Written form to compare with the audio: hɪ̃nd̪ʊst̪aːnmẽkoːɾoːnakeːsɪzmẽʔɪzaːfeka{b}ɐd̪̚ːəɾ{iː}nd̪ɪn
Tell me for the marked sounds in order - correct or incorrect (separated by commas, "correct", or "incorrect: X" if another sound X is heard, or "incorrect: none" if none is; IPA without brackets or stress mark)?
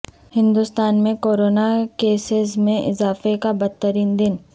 correct, correct